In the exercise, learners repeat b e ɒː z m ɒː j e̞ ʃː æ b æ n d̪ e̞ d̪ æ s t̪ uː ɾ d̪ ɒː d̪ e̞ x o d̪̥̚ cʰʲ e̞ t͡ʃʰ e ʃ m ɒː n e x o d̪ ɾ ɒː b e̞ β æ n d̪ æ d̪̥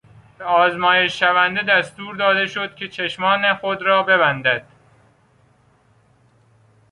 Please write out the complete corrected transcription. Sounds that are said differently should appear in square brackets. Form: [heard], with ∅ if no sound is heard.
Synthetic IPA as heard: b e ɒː z m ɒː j e̞ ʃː æ [v] æ n d̪ e̞ d̪ æ s t̪ uː ɾ d̪ ɒː d̪ e̞ [ʃ] o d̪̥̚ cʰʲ e̞ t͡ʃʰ e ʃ m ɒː n e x o d̪ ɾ ɒː b e̞ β æ n d̪ æ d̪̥